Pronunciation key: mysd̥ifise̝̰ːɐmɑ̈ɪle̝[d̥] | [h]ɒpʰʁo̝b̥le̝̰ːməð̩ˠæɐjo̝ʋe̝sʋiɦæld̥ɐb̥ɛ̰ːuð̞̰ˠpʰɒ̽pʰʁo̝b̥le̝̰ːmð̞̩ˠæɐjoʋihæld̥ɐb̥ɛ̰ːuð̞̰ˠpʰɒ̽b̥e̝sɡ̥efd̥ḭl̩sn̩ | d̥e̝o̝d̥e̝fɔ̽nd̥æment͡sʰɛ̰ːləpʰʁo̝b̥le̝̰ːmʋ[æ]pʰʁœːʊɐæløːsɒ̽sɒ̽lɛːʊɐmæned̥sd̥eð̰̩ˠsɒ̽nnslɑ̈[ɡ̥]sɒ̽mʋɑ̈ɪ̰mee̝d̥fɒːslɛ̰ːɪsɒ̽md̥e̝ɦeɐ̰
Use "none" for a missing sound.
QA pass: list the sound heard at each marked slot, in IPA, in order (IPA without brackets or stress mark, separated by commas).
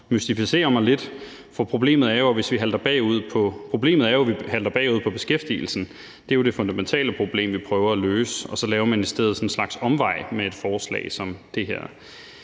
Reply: d̥, f, i, ɡ̥